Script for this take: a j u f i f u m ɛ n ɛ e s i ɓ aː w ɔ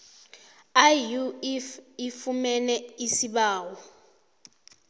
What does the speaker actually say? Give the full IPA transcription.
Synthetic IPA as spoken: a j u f i f u m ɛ n ɛ i s i ɓ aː w ɔ